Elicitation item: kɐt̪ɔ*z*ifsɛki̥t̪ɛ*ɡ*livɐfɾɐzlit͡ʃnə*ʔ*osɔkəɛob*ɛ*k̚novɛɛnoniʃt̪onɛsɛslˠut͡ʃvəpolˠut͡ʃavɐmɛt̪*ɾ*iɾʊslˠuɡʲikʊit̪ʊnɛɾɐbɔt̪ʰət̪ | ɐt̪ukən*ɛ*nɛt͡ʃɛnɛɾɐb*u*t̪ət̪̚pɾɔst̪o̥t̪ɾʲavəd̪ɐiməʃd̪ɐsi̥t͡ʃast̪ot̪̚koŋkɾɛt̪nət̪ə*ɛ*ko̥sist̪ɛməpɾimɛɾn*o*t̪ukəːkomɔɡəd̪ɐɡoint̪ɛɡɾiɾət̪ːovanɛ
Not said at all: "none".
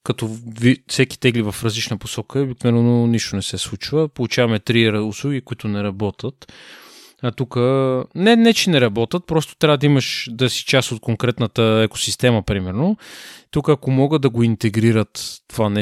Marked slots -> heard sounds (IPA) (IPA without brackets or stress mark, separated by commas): v, ɡ, p, i, ɾ, ɛ, ɔ, ɛ, o